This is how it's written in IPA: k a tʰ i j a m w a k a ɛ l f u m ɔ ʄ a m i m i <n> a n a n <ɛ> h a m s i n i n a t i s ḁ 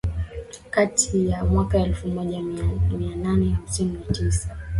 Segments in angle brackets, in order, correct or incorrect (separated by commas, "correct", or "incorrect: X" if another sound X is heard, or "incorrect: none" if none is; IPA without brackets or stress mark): incorrect: none, correct